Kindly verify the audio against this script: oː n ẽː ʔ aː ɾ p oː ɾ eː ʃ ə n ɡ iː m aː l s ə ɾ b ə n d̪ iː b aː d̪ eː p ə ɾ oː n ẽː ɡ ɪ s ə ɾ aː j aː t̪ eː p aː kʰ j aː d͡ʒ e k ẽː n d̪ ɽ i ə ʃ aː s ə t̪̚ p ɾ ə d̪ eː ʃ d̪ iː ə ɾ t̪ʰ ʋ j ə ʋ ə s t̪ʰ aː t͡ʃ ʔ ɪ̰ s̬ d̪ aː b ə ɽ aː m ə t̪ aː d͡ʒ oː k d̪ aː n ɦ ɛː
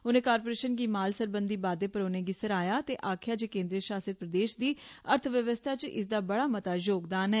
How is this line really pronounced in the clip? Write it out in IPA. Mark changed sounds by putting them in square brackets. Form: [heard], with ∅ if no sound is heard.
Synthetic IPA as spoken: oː n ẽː [k] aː ɾ p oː ɾ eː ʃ ə n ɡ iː m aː l s ə ɾ b ə n d̪ iː b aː d̪ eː p ə ɾ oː n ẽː ɡ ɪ s ə ɾ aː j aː t̪ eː [ʔ] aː kʰ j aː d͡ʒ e k ẽː n d̪ [ɾ] i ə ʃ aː s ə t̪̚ p ɾ ə d̪ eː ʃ d̪ iː ə ɾ t̪ʰ ʋ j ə ʋ ə s t̪ʰ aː t͡ʃ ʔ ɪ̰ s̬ d̪ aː b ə ɽ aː m ə t̪ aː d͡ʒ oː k d̪ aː n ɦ ɛː